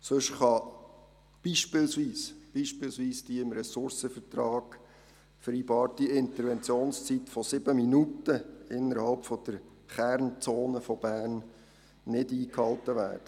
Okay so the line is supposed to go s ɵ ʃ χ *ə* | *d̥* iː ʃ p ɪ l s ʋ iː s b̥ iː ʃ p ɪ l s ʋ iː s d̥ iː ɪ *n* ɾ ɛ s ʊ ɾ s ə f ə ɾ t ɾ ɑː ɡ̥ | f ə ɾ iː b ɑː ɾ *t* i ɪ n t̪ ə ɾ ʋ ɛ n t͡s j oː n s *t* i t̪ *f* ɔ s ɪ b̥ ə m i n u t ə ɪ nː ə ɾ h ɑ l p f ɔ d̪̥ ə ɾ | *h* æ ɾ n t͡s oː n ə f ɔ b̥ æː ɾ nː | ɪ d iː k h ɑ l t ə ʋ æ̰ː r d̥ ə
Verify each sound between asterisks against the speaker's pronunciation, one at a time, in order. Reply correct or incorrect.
incorrect, incorrect, incorrect, correct, incorrect, correct, incorrect

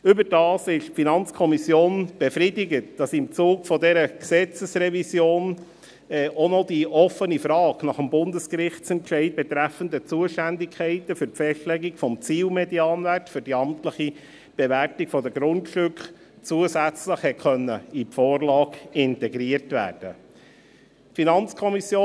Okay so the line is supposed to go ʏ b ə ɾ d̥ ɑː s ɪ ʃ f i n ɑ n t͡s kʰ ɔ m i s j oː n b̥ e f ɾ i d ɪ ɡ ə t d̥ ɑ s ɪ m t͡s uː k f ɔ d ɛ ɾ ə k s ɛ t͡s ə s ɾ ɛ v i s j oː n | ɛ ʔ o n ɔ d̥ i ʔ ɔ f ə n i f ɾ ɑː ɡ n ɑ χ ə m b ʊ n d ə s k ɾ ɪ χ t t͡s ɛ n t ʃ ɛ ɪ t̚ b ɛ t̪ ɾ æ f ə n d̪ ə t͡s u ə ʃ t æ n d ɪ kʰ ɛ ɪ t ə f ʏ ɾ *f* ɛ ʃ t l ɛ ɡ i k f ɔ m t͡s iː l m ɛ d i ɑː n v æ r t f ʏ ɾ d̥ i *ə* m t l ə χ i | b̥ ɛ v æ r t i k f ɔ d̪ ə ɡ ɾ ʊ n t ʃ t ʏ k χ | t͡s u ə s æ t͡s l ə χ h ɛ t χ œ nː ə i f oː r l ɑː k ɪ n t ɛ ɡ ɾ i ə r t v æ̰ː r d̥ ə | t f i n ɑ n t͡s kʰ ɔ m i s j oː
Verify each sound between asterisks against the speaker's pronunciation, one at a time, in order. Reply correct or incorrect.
correct, incorrect

